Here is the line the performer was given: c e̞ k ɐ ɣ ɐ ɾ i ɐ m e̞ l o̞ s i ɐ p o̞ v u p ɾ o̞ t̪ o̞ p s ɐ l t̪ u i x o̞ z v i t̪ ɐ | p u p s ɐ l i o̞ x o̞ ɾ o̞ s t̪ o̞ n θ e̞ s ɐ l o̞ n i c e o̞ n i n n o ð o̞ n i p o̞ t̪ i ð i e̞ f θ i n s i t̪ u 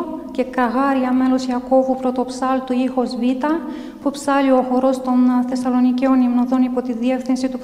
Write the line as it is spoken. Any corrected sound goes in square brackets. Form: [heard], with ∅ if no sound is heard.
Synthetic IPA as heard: c e̞ k ɐ ɣ ɐ ɾ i ɐ m e̞ l o̞ s i ɐ [k] o̞ v u p ɾ o̞ t̪ o̞ p s ɐ l t̪ u i x o̞ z v i t̪ ɐ | p u p s ɐ l i o̞ x o̞ ɾ o̞ s t̪ o̞ n θ e̞ s ɐ l o̞ n i c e o̞ n i [m] n o ð o̞ n i p o̞ t̪ i ð i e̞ f θ i n s i t̪ u